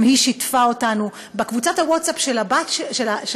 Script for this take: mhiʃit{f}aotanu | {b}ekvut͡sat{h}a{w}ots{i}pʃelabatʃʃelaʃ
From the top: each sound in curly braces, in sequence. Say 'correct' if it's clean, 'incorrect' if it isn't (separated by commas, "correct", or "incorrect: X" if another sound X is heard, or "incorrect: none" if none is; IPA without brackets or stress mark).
correct, correct, correct, correct, incorrect: a